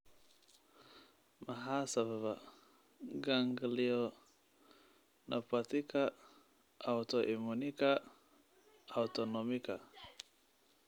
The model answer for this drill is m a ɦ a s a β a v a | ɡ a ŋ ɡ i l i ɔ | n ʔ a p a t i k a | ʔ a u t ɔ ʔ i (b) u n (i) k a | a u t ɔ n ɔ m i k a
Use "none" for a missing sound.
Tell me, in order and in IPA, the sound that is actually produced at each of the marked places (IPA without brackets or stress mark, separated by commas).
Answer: m, i